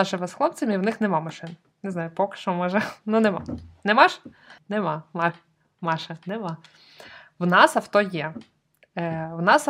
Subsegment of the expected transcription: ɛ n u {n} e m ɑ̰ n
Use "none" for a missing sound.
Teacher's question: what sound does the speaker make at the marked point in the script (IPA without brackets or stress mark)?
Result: n